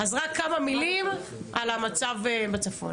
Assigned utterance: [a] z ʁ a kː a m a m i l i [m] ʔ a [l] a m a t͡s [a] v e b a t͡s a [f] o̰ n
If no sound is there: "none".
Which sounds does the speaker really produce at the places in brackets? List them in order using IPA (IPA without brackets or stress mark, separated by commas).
a, m, l, a, f